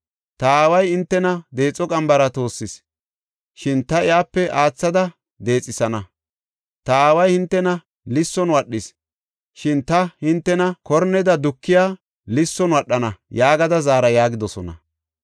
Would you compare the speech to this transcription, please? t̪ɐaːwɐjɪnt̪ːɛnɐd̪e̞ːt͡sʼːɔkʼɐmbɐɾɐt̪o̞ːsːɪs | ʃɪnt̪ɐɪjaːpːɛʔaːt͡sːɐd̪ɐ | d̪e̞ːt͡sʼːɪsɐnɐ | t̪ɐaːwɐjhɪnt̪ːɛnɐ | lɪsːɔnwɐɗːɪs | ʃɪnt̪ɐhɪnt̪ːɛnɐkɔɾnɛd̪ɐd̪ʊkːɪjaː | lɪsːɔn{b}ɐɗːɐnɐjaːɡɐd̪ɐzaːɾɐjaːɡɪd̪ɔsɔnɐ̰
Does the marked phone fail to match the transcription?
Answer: yes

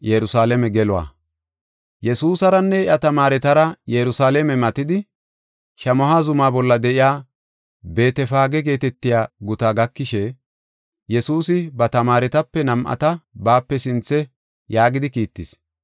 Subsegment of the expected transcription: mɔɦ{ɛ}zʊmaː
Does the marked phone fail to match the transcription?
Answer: yes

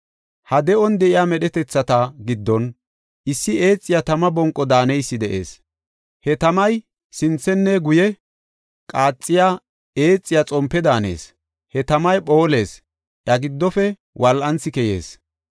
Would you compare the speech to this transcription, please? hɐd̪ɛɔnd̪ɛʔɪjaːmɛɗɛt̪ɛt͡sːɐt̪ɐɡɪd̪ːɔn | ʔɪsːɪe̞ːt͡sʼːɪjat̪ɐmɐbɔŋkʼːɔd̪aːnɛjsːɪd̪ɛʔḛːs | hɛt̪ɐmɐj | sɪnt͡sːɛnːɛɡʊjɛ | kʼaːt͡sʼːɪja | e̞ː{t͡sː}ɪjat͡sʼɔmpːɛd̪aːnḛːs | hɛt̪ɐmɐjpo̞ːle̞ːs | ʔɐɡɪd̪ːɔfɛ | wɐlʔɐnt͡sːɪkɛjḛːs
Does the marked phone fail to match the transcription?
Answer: yes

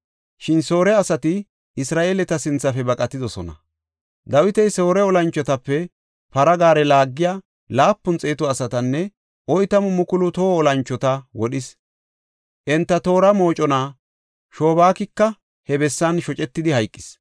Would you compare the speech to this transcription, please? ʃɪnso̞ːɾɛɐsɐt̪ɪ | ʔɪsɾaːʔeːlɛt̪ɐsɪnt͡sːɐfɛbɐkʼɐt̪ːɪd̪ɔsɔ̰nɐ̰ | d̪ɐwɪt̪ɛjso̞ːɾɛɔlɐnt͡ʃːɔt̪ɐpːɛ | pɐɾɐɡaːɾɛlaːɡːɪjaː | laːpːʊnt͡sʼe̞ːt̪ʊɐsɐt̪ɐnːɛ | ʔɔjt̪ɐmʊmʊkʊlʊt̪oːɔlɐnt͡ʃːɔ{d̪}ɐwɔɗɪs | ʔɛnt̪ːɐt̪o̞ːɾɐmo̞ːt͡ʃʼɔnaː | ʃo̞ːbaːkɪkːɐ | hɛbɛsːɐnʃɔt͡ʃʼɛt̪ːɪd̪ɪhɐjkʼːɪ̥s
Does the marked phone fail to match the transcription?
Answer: yes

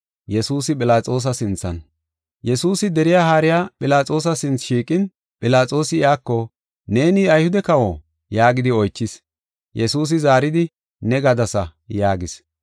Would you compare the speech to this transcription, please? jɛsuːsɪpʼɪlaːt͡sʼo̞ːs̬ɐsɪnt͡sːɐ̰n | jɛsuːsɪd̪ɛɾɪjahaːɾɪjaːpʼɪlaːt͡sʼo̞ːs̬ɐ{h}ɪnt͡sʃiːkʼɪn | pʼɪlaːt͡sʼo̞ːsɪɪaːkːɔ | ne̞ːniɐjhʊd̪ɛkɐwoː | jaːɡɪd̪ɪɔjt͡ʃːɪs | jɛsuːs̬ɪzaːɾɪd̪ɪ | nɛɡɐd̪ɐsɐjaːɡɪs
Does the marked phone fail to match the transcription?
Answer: yes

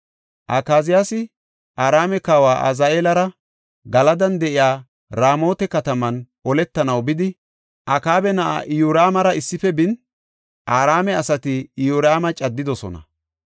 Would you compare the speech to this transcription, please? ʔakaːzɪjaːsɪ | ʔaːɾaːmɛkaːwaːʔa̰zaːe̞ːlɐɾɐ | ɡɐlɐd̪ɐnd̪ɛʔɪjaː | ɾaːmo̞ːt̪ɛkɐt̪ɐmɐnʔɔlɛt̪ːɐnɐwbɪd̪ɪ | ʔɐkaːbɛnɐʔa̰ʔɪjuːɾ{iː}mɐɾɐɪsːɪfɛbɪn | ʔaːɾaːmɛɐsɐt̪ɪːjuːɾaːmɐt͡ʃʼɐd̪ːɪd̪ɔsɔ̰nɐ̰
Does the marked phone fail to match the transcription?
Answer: yes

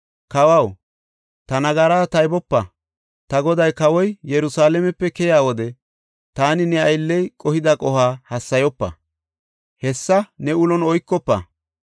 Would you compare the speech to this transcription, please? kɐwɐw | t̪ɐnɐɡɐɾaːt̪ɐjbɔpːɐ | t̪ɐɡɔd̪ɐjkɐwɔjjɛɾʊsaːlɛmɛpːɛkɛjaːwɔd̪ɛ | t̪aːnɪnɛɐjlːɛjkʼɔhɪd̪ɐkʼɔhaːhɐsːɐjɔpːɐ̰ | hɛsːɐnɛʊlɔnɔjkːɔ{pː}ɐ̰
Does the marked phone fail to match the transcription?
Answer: no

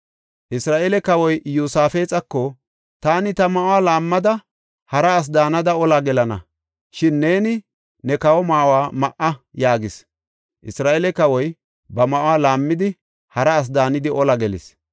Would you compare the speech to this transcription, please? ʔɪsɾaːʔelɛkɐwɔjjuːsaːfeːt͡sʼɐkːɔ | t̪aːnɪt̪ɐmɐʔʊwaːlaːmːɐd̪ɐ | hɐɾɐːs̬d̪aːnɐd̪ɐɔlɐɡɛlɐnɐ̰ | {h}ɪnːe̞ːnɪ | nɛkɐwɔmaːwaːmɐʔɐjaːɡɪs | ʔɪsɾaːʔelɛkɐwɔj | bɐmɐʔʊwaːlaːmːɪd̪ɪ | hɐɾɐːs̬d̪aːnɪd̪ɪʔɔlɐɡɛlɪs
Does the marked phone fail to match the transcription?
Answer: yes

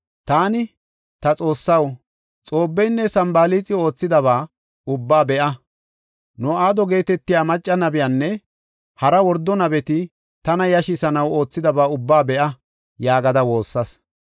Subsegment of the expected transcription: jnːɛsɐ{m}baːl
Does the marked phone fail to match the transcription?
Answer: no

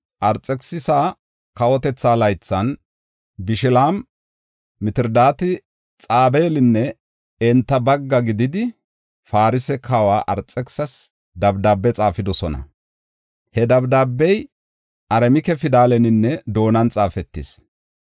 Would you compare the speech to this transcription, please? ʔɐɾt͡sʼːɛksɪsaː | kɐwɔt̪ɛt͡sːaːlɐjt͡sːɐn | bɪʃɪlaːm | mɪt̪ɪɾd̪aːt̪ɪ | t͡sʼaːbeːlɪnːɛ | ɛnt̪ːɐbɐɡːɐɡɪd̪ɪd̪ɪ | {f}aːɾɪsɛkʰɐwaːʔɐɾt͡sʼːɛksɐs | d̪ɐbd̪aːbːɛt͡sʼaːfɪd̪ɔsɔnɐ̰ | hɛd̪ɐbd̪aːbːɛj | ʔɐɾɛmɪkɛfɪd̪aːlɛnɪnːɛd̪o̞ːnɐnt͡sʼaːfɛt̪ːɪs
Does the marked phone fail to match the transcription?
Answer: no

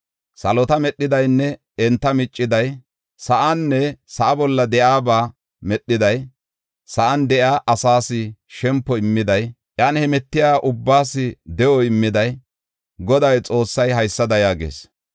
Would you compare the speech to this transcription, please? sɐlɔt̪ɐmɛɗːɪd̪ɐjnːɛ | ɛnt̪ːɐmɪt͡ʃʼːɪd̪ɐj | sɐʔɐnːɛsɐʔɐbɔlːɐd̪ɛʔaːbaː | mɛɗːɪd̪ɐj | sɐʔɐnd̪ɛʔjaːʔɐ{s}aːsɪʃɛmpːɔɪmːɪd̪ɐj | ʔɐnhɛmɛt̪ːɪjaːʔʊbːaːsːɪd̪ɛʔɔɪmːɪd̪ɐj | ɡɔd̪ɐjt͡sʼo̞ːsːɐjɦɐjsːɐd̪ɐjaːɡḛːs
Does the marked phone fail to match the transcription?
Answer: no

